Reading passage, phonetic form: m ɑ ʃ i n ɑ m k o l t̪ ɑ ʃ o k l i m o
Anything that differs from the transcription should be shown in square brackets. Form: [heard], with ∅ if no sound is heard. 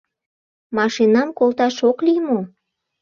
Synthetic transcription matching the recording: m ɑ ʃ i n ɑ m k o l t̪ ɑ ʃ o k l i m o